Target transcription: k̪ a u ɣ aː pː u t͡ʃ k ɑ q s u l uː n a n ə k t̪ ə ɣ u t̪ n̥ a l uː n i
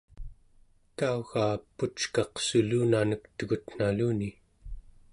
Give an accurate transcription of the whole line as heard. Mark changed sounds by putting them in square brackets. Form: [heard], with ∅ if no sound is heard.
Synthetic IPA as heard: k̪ a u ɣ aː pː u t͡ʃ k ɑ q s u l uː n a n ə k t̪ ə ɣ u t̪ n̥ a l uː n i